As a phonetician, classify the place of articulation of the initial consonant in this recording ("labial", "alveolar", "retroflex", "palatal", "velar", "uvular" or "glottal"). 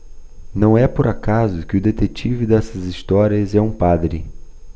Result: alveolar